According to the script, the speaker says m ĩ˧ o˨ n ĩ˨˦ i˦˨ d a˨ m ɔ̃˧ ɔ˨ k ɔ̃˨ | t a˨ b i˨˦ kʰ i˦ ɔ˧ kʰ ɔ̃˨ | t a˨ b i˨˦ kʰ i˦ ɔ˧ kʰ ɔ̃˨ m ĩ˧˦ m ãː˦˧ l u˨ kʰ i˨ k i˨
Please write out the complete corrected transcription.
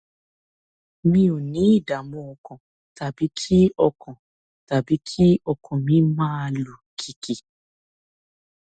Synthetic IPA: m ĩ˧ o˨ n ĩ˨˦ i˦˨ d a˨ m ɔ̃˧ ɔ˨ k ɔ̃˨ | t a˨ b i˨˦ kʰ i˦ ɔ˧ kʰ ɔ̃˨ | t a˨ b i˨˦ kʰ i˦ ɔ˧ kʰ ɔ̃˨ m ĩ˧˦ m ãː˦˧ l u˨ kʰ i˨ k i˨